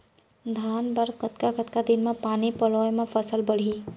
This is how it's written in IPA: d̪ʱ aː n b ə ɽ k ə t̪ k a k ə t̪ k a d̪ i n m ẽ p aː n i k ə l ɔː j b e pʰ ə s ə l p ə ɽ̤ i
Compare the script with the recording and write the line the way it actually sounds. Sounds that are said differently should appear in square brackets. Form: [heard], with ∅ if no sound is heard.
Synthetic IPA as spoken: d̪ʱ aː n b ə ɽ k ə t̪ k a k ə t̪ k a d̪ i n m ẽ p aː n i [p] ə l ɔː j [m] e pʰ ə s ə l [b] ə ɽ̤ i